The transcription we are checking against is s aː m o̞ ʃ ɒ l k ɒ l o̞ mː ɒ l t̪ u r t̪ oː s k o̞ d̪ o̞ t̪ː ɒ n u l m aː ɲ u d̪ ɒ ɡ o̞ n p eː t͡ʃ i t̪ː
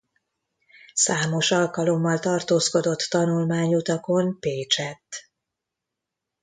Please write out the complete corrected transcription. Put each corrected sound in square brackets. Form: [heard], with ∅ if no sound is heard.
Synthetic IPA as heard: s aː m o̞ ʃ ɒ l k ɒ l o̞ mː ɒ l t̪ [ɒ] r t̪ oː s k o̞ d̪ o̞ t̪ː ɒ n u l m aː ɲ u [t̪] ɒ [k] o̞ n p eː t͡ʃ [ɛ] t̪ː